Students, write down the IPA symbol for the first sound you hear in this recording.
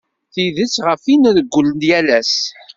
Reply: θ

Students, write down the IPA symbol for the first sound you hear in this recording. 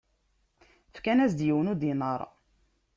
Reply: f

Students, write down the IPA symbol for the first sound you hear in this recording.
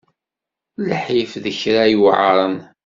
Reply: l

